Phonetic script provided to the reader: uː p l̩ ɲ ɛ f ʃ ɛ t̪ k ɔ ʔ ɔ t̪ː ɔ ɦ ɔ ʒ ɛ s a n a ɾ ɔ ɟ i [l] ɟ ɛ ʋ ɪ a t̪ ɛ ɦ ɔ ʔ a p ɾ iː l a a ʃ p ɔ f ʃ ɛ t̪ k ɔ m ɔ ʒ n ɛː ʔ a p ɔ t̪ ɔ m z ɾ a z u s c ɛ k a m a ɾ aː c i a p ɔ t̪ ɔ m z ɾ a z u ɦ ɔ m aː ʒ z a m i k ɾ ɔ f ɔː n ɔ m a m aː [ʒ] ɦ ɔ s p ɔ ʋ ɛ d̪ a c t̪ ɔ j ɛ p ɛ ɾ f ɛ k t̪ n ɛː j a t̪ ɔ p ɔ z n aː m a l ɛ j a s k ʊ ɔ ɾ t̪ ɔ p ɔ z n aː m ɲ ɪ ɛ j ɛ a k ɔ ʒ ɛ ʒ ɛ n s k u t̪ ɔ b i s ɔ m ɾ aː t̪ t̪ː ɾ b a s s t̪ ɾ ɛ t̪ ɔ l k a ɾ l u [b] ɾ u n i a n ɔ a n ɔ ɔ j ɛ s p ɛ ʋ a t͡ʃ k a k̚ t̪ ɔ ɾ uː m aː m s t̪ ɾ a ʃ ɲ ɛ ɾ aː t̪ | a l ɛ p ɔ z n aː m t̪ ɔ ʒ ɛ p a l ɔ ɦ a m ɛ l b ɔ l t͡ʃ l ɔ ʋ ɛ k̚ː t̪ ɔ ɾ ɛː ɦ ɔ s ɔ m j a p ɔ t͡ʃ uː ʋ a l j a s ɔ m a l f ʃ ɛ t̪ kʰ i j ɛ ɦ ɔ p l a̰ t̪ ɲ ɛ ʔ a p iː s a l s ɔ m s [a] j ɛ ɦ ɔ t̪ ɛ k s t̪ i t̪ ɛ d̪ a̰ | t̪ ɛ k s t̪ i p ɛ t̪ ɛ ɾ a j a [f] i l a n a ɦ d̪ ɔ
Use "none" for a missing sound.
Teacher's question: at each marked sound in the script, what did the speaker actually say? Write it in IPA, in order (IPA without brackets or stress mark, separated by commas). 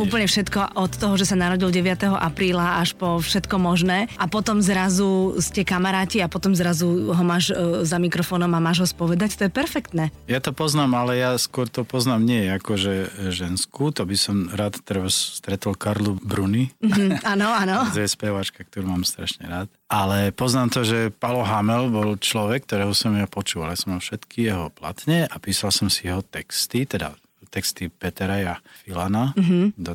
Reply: l, ʒ, b, i, f